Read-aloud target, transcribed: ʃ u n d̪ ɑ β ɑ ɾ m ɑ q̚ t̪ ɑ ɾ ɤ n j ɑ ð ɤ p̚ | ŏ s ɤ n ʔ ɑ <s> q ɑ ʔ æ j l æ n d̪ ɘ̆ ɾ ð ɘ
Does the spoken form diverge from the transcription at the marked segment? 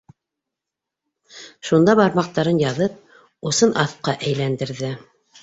yes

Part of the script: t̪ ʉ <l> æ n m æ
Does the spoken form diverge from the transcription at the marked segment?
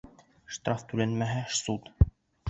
no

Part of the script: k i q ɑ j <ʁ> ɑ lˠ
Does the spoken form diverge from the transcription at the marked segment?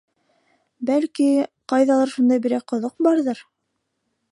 yes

